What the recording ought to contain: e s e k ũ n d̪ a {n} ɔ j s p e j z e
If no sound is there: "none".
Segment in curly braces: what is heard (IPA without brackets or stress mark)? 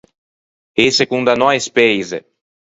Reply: n